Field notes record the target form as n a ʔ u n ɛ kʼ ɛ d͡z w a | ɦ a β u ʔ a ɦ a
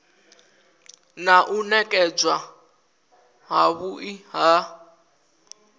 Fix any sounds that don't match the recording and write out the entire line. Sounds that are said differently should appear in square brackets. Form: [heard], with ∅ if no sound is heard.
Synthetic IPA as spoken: n a ʔ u n ɛ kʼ ɛ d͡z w a | ɦ a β u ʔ [i] ɦ a